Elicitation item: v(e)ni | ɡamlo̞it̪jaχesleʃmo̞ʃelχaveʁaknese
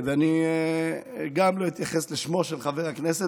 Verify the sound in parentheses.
incorrect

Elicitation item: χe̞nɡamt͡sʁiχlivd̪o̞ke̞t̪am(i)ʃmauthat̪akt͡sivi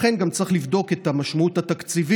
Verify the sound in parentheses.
incorrect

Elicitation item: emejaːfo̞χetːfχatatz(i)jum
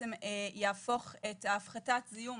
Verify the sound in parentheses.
correct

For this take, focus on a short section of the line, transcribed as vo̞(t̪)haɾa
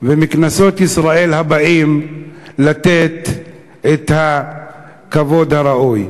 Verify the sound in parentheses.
incorrect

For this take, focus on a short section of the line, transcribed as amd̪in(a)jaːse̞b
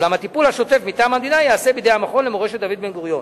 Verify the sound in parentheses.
correct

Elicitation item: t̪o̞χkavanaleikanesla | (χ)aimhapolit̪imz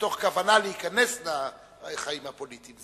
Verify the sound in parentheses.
correct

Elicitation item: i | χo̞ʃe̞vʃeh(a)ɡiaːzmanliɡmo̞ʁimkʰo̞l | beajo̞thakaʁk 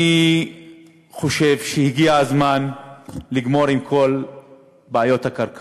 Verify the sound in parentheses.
incorrect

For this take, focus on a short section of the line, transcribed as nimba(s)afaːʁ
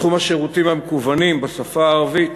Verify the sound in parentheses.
correct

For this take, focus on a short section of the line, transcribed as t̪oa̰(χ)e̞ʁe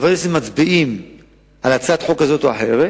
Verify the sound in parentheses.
incorrect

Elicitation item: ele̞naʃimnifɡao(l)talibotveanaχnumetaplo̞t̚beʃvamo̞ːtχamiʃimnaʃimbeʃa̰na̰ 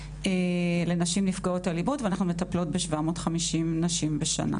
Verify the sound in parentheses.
incorrect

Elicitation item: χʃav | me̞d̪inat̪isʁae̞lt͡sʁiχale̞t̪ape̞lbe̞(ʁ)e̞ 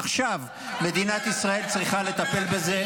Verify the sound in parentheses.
incorrect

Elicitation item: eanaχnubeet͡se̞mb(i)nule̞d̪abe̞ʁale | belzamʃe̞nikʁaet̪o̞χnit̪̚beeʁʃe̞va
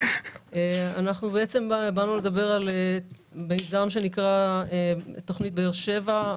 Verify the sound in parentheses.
incorrect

